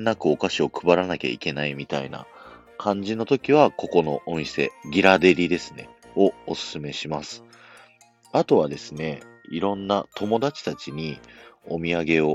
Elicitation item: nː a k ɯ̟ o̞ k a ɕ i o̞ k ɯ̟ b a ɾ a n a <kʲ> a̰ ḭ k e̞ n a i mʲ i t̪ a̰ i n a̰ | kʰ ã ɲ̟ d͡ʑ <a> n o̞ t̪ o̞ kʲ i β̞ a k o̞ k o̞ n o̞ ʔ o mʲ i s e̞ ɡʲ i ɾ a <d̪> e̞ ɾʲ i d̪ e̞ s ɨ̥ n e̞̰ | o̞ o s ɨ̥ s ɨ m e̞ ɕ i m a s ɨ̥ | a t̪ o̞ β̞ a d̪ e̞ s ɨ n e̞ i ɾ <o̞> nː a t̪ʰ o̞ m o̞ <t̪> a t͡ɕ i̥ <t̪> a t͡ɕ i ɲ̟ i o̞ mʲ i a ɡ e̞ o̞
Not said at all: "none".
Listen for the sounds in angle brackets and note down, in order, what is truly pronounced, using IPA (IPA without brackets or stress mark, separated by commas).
kʲ, i, d̪, õ̞, d̪, t̪